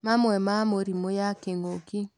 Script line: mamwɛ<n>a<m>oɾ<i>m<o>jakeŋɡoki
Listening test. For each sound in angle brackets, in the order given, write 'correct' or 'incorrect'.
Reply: incorrect, correct, correct, correct

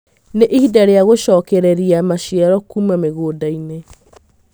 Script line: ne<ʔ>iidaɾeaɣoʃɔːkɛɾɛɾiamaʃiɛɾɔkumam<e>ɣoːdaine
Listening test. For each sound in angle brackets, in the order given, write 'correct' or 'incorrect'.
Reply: correct, correct

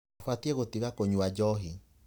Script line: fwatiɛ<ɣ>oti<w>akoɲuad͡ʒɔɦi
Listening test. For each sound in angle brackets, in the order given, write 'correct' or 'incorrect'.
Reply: correct, incorrect

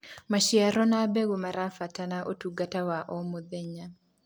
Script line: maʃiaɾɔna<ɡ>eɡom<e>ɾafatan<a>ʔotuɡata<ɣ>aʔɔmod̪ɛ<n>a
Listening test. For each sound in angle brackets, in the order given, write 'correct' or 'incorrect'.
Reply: incorrect, incorrect, correct, incorrect, incorrect

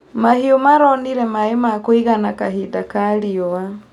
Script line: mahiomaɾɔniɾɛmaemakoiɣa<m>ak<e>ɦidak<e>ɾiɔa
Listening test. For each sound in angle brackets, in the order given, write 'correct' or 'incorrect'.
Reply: incorrect, incorrect, incorrect

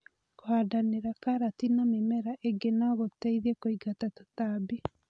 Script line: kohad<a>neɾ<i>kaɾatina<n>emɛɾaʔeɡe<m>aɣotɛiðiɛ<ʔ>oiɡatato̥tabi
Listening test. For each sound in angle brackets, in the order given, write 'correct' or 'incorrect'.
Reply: correct, incorrect, incorrect, incorrect, incorrect

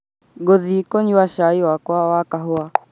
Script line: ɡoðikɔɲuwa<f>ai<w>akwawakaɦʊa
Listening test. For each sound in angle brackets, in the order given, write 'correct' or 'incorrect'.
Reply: incorrect, correct

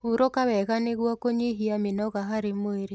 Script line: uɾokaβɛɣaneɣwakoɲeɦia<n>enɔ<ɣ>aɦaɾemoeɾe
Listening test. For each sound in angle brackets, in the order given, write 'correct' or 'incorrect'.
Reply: incorrect, correct

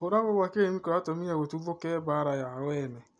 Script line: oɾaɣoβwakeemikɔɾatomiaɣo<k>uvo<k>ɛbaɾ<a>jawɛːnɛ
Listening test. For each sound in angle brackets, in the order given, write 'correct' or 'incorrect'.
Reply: incorrect, correct, correct

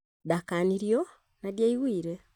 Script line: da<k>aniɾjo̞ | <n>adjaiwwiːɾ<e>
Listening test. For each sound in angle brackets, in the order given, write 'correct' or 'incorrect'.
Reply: correct, correct, correct

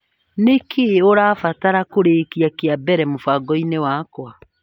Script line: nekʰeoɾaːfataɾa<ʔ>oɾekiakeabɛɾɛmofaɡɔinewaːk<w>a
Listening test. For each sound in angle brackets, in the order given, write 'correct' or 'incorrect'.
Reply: incorrect, correct

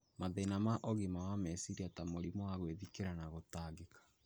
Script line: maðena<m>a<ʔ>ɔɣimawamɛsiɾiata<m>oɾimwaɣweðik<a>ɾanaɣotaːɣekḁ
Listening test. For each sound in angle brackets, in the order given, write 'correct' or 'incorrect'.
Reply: correct, correct, correct, incorrect

